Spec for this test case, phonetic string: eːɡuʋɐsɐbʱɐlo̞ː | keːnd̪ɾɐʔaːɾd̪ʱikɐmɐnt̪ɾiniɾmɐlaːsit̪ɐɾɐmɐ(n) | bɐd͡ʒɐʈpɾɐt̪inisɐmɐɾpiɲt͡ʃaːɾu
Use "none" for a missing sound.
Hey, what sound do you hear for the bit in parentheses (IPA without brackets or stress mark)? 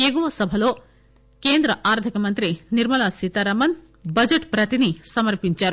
n